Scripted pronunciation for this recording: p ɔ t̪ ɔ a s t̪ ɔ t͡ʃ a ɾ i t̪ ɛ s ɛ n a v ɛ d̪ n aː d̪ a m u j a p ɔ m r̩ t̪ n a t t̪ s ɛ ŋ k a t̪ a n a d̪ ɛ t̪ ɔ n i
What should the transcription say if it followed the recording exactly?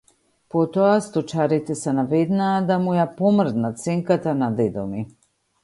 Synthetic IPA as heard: p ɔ t̪ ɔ a s t̪ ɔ t͡ʃ a ɾ i t̪ ɛ s ɛ n a v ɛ d̪ n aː d̪ a m u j a p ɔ m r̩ d̪ n a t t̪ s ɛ ŋ k a t̪ a n a d̪ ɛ d̪ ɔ m i